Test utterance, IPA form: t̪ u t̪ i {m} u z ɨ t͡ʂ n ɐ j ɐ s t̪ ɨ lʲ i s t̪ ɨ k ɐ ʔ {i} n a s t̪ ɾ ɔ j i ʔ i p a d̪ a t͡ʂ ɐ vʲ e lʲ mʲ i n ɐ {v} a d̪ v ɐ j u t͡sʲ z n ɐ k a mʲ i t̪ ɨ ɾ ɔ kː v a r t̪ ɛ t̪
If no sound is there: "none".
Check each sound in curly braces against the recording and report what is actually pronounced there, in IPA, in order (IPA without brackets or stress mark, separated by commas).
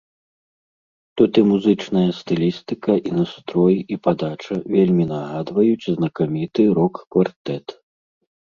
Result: m, i, ɣ